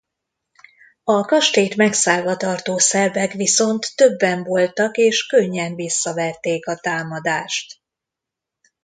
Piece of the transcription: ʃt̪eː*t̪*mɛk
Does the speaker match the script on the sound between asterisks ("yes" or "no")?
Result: yes